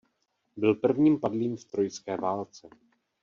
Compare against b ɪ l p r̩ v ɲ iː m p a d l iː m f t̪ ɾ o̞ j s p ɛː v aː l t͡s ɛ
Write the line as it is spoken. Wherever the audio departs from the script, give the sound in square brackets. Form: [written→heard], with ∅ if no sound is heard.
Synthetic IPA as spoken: b ɪ l p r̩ v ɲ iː m p a d l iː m f t̪ ɾ o̞ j s [p→k] ɛː v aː l t͡s ɛ

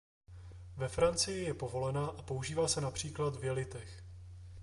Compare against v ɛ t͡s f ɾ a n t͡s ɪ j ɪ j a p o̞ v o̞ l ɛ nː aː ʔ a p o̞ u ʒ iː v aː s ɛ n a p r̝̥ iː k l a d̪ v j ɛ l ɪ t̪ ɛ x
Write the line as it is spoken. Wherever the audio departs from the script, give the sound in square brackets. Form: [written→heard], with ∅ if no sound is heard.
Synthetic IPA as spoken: v ɛ [t͡s→∅] f ɾ a n t͡s ɪ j ɪ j [a→ɛ] p o̞ v o̞ l ɛ [nː→n] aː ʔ a p o̞ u ʒ iː v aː s ɛ n a p r̝̥ iː k l a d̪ v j ɛ l ɪ t̪ ɛ x

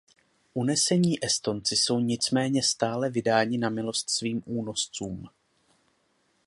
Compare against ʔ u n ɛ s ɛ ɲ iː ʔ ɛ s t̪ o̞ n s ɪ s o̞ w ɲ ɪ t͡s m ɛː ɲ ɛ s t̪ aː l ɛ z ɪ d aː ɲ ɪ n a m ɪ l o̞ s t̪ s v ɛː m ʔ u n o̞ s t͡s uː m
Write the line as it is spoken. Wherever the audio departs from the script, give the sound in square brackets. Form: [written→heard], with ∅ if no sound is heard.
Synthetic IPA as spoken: ʔ u n ɛ s ɛ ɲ iː ʔ ɛ s t̪ o̞ n [s→t͡s] ɪ s o̞ w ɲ ɪ t͡s m ɛː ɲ ɛ s t̪ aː l ɛ [z→v] ɪ d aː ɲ ɪ n a m ɪ l o̞ s t̪ s v [ɛː→iː] m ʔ [u→uː] n o̞ s t͡s uː m

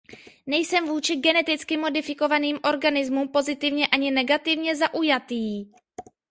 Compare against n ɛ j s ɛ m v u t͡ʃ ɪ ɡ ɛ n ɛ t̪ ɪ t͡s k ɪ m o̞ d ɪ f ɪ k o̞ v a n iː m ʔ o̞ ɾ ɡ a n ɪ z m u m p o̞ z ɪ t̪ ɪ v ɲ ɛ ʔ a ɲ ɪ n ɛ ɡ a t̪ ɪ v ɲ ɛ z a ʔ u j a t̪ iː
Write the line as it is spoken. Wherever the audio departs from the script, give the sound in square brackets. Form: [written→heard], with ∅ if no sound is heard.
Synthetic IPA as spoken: n ɛ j s ɛ m v [u→uː] t͡ʃ ɪ ɡ ɛ n ɛ t̪ ɪ t͡s k ɪ m o̞ d ɪ f ɪ k o̞ v a n iː m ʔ o̞ ɾ ɡ a n ɪ z m u m p o̞ z ɪ t̪ ɪ v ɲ ɛ ʔ a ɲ ɪ n ɛ ɡ a t̪ ɪ v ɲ ɛ z a ʔ u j a t̪ iː

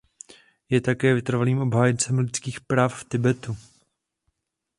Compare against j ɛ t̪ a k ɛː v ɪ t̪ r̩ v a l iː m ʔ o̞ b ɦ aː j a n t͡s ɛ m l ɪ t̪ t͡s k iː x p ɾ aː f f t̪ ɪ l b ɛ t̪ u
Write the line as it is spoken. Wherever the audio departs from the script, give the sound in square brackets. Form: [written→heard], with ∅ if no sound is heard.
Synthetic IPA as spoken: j ɛ t̪ a k ɛː v ɪ t̪ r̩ v a l iː m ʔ o̞ b ɦ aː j [a→ɛ] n t͡s ɛ m l ɪ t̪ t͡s k iː x p ɾ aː f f t̪ ɪ [l→∅] b ɛ t̪ u

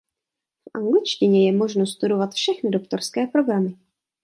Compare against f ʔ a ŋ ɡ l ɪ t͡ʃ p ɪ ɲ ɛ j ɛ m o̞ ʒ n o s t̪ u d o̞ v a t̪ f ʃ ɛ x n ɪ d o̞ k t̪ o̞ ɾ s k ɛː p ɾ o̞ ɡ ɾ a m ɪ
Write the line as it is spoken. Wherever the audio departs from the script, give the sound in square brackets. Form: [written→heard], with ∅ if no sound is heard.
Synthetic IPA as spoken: f ʔ a ŋ ɡ l ɪ t͡ʃ [p→c] ɪ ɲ ɛ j ɛ m o̞ ʒ n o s t̪ u d o̞ v a t̪ f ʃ ɛ x n ɪ d o̞ k t̪ o̞ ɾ s k ɛː p ɾ o̞ ɡ ɾ a m ɪ

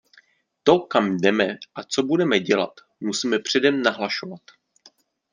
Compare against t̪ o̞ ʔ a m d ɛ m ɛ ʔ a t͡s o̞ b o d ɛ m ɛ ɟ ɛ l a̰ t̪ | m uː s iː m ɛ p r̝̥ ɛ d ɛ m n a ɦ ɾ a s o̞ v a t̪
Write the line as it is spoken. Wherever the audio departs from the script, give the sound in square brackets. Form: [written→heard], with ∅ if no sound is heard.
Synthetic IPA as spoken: t̪ o̞ [ʔ→k] a m d ɛ m ɛ ʔ a t͡s o̞ b [o→u] d ɛ m ɛ ɟ ɛ l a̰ t̪ | m [uː→u] s iː m ɛ p r̝̥ ɛ d ɛ m n a ɦ [ɾ→l] a [s→ʃ] o̞ v a t̪

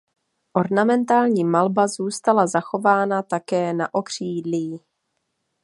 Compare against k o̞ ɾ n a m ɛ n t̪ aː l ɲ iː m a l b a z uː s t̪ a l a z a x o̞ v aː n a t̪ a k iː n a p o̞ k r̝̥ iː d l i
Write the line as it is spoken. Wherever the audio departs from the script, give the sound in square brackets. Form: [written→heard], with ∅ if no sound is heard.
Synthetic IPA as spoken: [k→ʔ] o̞ ɾ n a m ɛ n t̪ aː l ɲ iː m a l b a z uː s t̪ a l a z a x o̞ v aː n a t̪ a k [iː→ɛː] n a [p→ʔ] o̞ k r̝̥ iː d l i

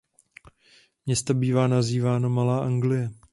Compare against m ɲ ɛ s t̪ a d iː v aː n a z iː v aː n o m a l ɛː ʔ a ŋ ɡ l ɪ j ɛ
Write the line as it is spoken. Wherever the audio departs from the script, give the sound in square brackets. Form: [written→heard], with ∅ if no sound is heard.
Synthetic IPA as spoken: m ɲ ɛ s t̪ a [d→b] iː v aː n a z iː v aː n o m a l [ɛː→aː] ʔ a ŋ ɡ l ɪ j ɛ

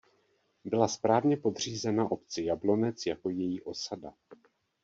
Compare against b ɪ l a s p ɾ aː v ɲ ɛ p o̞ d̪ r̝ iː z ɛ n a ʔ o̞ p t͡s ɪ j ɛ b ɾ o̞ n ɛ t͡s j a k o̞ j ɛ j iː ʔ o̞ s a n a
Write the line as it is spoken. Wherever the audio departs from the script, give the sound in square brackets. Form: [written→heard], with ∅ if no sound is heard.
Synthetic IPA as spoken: b ɪ l a s p ɾ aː v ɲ ɛ p o̞ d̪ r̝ iː z ɛ n a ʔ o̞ p t͡s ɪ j [ɛ→a] b [ɾ→l] o̞ n ɛ t͡s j a k o̞ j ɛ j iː ʔ o̞ s a [n→d] a

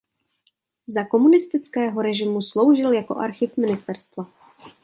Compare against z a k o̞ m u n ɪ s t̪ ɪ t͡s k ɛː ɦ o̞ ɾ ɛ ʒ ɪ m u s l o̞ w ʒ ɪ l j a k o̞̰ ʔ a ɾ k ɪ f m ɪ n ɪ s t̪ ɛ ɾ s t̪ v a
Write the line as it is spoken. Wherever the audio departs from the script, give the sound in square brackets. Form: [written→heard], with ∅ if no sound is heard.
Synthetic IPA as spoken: z a k o̞ m u n ɪ s t̪ ɪ t͡s k ɛː ɦ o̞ ɾ ɛ ʒ ɪ m u s l o̞ w ʒ ɪ l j a k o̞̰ ʔ a ɾ [k→x] ɪ f m ɪ n ɪ s t̪ ɛ ɾ s t̪ v a

